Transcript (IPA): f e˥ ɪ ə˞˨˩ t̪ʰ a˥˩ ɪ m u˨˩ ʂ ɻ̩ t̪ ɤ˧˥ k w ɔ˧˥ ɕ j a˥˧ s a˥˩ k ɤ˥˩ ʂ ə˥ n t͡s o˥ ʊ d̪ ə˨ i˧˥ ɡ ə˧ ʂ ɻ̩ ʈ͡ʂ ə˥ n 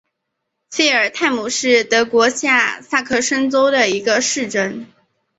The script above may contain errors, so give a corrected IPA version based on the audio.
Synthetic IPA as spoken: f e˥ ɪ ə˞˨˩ t̪ʰ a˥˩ ɪ m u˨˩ ʂ ɻ̩ t̪ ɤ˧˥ k w ɔ˧˥ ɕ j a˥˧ s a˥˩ kʰ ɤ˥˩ ʂ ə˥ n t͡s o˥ ʊ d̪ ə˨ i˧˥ ɡ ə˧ ʂ ɻ̩ ʈ͡ʂ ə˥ n